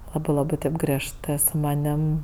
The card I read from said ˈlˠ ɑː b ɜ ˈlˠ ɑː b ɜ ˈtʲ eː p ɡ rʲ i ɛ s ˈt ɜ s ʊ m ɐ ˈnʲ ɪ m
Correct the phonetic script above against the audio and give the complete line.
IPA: ˈlˠ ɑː b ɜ ˈlˠ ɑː b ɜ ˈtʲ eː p ɡ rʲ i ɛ ʃ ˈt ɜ s ʊ m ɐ ˈnʲ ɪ m

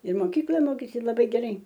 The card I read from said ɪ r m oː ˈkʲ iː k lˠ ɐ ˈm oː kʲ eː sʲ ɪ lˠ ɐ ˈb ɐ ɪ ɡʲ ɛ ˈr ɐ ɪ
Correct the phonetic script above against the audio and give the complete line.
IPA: ɪ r m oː ˈkʲ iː k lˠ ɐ ˈm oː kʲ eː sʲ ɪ lˠ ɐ ˈb ɐ ɪ ɡʲ ɛ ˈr ɐ ɪ

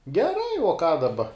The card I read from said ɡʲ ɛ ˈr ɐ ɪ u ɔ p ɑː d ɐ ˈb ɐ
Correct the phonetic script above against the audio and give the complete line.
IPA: ɡʲ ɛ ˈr ɐ ɪ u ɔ k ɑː d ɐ ˈb ɐ

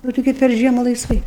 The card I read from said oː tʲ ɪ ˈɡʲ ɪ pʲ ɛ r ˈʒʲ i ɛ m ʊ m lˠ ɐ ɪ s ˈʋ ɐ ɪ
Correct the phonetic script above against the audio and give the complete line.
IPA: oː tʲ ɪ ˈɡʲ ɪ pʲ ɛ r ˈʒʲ i ɛ m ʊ lˠ ɐ ɪ s ˈʋ ɐ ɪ

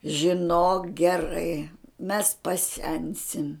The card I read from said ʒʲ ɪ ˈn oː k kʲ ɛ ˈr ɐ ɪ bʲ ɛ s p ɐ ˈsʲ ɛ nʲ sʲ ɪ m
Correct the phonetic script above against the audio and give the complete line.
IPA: ʒʲ ɪ ˈn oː k ɡʲ ɛ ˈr ɐ ɪ mʲ ɛ s p ɐ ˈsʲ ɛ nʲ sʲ ɪ m

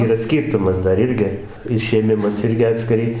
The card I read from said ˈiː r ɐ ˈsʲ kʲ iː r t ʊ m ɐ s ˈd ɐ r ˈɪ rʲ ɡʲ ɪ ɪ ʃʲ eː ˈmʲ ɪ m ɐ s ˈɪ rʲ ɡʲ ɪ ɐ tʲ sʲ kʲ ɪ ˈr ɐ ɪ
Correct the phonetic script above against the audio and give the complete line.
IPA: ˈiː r ɐ ˈsʲ kʲ iː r t ʊ m ɐ s ˈd ɐ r ˈɪ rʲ ɡʲ ɪ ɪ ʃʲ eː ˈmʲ ɪ m ɐ s ˈɪ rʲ ɡʲ ɪ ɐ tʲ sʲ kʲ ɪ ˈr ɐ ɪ

